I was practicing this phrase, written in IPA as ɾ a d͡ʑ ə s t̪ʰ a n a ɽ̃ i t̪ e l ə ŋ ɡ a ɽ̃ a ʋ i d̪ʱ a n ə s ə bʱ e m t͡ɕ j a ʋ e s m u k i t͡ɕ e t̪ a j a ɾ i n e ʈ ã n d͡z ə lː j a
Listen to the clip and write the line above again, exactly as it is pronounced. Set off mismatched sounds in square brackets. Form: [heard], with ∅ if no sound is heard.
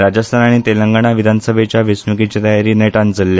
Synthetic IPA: ɾ a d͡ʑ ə s t̪ʰ a n a ɽ̃ i t̪ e l ə ŋ ɡ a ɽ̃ a ʋ i d̪ʱ a n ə s ə bʱ e [∅] t͡ɕ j a ʋ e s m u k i t͡ɕ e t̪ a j a ɾ i n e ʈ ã n d͡z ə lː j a